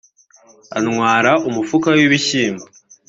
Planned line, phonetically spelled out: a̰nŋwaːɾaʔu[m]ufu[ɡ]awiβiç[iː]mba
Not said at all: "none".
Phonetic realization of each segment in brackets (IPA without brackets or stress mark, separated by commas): m, k, iː